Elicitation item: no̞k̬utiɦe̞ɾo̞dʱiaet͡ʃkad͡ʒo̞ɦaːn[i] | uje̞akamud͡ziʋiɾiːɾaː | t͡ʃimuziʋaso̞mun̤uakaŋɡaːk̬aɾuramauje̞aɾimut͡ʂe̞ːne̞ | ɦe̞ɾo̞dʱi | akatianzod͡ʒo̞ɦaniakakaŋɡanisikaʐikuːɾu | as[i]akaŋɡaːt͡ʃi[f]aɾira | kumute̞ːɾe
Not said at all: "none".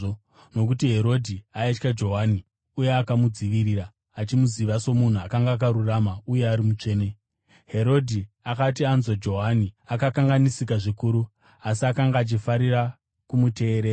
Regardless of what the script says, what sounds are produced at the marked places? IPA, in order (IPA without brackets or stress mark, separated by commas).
i, i, f